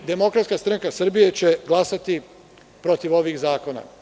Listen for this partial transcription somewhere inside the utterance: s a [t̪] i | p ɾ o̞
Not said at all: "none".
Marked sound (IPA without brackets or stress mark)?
t̪